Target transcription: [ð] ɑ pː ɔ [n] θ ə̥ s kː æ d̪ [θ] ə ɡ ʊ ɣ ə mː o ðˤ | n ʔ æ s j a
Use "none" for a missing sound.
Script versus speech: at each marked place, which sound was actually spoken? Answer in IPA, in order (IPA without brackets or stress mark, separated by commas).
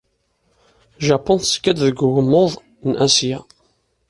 ʒ, n, ð